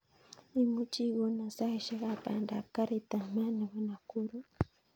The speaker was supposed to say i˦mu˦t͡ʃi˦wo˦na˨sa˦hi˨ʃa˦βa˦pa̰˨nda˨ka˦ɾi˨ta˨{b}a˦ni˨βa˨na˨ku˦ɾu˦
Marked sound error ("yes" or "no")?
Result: yes